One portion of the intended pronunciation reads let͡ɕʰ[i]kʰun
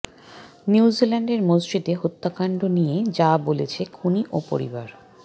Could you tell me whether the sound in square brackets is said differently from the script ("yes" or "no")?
yes